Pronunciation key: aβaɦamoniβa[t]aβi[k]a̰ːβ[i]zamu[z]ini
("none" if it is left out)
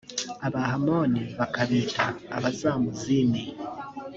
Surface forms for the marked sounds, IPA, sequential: k, t, a, z

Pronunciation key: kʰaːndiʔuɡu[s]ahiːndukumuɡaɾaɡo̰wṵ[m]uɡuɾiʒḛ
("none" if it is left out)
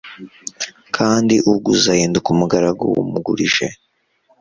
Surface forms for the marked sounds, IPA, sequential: z, m

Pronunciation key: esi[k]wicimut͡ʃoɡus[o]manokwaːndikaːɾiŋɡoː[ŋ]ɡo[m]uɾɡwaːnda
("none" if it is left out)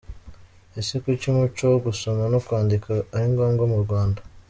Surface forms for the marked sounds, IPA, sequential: k, o, ŋ, m

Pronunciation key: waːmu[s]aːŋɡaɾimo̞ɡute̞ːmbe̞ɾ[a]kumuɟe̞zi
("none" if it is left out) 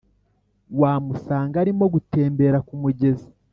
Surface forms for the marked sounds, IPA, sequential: s, a

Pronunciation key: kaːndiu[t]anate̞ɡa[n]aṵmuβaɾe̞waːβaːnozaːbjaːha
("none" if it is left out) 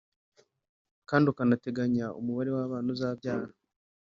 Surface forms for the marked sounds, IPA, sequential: k, ɲ

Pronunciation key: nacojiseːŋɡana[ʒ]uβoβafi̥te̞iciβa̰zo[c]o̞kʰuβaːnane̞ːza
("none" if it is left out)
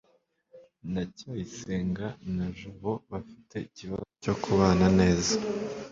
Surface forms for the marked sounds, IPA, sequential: ʒ, c

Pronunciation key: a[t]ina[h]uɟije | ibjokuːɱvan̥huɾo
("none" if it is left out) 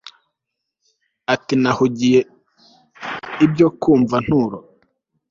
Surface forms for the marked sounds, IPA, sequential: t, h

